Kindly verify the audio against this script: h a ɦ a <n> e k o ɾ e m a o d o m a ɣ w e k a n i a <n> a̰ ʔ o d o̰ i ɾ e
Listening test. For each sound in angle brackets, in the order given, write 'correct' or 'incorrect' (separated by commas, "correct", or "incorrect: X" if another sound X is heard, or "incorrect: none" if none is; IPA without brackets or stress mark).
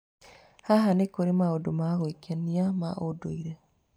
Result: correct, incorrect: m